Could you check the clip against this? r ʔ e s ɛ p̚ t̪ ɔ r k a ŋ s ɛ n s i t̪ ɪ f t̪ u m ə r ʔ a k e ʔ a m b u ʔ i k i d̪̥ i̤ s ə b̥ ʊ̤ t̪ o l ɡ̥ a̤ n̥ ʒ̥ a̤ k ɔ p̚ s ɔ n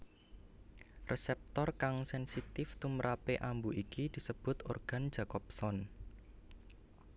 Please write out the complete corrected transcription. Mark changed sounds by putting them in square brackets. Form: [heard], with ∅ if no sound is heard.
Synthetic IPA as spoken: r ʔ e s ɛ p̚ t̪ ɔ r k a ŋ s ɛ n s i t̪ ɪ f t̪ u m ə [ɾ] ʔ a [p] e ʔ a m b u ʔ i k i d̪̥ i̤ s ə b̥ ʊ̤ t̪ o [r] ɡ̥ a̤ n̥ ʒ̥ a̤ k ɔ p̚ s ɔ n

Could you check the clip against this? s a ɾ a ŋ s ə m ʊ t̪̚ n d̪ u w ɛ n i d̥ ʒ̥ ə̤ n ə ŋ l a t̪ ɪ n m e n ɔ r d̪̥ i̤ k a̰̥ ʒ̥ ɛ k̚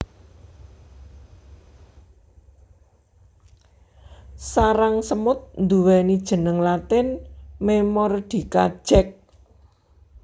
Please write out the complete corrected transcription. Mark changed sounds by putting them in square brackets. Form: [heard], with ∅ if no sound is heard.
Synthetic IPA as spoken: s a ɾ a ŋ s ə m ʊ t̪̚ n d̪ u w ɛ n i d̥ ʒ̥ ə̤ n ə ŋ l a t̪ ɪ n m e [m] ɔ r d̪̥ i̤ k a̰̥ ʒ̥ ɛ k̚

